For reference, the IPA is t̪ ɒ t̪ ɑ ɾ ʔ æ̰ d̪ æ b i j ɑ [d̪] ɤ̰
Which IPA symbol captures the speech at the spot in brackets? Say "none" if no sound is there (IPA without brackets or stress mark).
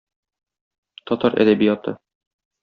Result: t̪